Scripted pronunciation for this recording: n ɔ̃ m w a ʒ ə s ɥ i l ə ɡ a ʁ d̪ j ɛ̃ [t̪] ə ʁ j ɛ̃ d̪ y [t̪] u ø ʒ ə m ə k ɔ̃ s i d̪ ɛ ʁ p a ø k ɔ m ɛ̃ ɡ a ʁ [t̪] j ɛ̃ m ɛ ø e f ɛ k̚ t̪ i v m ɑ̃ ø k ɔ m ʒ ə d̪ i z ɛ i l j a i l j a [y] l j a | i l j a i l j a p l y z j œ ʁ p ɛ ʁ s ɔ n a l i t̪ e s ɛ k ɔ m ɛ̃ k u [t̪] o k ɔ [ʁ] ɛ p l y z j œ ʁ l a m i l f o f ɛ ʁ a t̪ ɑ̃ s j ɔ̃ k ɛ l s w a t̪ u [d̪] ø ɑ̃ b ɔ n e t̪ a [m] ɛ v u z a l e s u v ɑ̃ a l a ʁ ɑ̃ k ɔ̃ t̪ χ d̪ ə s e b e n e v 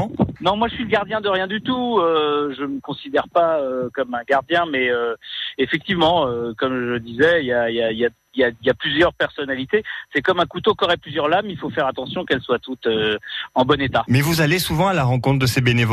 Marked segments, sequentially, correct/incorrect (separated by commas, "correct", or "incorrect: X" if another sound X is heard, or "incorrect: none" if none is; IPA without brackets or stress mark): incorrect: d̪, correct, incorrect: d̪, incorrect: i, correct, correct, incorrect: t̪, correct